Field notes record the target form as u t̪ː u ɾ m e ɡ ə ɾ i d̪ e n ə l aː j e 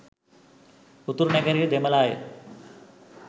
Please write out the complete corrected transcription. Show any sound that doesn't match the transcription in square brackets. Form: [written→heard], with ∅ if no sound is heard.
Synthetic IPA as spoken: u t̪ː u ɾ [m→n] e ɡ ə ɾ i d̪ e [n→m] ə l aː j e